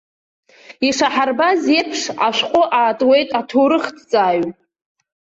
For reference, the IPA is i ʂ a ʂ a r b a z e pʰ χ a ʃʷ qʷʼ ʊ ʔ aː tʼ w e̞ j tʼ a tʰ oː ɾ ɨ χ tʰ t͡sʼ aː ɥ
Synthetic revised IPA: i ʂ a ħ a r b a z e pʰ ʂ a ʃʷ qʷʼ ʊ ʔ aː tʼ w e̞ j tʼ a tʰ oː ɾ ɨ χ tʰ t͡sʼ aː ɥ

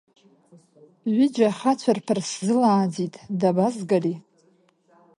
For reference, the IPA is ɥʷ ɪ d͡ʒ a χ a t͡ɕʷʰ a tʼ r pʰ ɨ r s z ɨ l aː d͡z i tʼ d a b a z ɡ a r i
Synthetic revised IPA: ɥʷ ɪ d͡ʒ a χ a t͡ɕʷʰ a r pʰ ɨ r s z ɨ l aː d͡z i tʼ d a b a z ɡ a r i

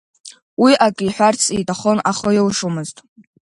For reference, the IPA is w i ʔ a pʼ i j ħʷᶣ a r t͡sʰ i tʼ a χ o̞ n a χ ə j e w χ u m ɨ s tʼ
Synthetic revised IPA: w i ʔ a kʼ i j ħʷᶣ a r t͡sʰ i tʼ a χ o̞ n a χ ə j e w ʂ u m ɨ z tʼ

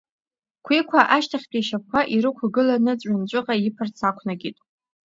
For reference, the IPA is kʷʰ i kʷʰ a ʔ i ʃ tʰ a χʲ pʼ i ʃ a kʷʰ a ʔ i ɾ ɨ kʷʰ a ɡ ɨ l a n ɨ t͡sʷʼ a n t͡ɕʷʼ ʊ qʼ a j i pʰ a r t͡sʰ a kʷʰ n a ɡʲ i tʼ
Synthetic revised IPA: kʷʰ i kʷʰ a ʔ a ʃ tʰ a χʲ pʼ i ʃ a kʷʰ a ʔ i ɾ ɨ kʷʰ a ɡ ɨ l a n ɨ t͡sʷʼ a n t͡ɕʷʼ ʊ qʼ a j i pʰ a r t͡sʰ a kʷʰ n a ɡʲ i tʼ

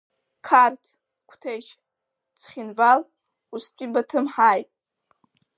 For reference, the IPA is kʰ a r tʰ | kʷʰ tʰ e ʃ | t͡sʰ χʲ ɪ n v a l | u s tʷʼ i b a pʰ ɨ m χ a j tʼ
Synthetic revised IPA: kʰ a r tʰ | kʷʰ tʰ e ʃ | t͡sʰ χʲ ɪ n v a l | u s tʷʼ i b a tʰ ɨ m ħ a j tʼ

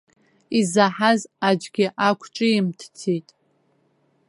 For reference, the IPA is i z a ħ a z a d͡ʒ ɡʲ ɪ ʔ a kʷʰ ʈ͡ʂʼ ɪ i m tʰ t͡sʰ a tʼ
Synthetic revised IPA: i z a ħ a z a d͡ʒ ɡʲ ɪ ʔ a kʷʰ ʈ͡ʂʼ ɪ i m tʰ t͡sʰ i tʼ

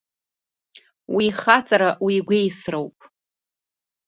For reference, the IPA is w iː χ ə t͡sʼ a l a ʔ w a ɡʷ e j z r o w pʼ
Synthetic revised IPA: w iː χ a t͡sʼ a ɾ a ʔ w i ɡʷ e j s r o w pʼ

